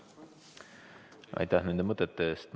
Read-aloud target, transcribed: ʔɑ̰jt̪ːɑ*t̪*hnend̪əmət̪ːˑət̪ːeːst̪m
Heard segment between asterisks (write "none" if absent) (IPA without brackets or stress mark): none